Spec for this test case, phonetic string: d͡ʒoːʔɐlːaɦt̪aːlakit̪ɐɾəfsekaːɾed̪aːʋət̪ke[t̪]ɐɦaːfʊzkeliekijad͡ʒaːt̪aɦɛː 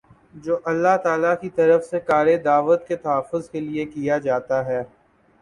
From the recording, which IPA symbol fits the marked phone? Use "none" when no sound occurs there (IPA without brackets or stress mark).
t̪